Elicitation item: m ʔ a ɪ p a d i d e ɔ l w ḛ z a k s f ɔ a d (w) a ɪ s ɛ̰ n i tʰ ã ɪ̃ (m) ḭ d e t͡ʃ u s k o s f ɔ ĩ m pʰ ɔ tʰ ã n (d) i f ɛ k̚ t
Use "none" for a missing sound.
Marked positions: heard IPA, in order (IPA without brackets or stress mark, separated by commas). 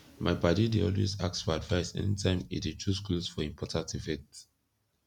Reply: v, m, t